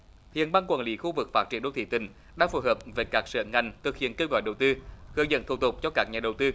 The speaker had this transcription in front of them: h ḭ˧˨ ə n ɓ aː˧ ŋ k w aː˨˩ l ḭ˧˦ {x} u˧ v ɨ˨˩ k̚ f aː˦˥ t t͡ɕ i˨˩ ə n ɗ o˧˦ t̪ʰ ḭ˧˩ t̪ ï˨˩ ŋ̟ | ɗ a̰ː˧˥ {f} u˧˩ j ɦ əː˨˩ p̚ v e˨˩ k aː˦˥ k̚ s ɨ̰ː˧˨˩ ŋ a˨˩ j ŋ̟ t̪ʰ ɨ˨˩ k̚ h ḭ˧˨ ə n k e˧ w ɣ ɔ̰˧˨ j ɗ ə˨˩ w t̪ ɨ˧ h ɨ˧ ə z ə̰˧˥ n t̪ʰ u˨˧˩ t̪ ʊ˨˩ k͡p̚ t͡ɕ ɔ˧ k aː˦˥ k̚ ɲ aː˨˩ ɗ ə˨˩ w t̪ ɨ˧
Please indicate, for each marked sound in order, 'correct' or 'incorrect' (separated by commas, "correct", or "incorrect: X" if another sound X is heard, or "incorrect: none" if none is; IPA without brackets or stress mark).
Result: correct, correct